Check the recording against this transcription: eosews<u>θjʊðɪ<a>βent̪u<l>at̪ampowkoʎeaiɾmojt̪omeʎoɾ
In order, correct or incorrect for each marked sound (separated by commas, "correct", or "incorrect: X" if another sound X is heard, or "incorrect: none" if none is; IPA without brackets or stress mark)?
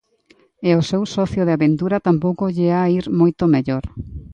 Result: incorrect: ɔ, correct, incorrect: ɾ